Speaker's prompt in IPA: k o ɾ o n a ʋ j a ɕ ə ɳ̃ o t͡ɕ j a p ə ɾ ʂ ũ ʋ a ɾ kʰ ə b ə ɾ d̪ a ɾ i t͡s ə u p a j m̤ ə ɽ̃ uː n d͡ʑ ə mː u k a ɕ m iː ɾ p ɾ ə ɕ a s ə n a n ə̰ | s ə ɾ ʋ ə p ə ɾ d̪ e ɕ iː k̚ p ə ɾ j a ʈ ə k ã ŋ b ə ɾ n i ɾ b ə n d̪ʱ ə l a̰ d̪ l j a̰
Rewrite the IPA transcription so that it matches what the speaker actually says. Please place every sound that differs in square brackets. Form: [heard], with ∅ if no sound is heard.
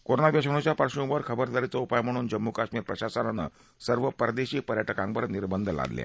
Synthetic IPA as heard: k o ɾ o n a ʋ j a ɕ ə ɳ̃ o t͡ɕ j a p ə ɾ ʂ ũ ʋ [ə] ɾ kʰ ə b ə ɾ d̪ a ɾ i t͡s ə u p a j m̤ ə ɽ̃ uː n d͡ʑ ə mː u k a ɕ m iː ɾ p ɾ ə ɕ a s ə n a n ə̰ | s ə ɾ ʋ ə p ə ɾ d̪ e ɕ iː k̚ p ə ɾ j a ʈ ə k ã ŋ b ə ɾ n i ɾ b ə n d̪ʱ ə l a̰ d̪ l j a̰